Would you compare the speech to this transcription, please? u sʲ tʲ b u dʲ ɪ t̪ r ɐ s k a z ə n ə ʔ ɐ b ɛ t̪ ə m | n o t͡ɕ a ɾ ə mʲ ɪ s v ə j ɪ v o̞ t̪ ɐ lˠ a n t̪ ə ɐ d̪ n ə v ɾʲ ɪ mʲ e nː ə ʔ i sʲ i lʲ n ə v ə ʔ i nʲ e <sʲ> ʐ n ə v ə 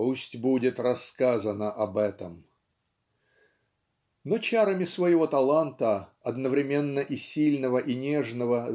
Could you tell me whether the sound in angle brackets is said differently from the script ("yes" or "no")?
yes